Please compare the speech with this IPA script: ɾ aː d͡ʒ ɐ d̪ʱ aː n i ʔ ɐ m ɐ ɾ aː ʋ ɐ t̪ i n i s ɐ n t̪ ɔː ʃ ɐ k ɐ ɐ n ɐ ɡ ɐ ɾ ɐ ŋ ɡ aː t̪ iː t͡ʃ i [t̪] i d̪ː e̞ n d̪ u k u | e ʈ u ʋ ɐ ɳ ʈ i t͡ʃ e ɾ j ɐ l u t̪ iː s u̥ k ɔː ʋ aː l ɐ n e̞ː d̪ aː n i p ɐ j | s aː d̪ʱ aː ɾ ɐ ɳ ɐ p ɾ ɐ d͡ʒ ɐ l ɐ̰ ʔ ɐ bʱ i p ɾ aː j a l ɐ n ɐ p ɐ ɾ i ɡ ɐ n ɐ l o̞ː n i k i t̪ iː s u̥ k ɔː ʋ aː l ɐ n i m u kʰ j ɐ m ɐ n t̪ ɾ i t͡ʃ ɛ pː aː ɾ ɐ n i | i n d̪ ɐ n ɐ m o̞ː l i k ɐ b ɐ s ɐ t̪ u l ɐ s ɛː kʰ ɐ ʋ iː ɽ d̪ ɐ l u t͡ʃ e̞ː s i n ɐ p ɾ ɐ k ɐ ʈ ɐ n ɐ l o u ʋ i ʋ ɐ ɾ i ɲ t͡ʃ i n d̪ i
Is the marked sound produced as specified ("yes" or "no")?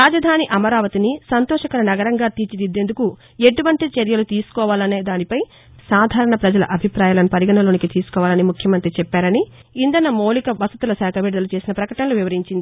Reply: no